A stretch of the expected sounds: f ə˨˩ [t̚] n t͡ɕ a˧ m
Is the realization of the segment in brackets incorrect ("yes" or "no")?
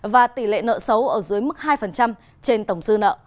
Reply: yes